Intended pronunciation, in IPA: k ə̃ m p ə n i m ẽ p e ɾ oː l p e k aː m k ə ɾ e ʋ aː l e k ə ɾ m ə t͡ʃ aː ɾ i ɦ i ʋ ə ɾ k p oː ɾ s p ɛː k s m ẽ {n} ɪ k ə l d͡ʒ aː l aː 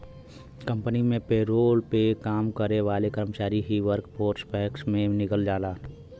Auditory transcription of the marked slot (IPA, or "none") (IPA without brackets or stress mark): n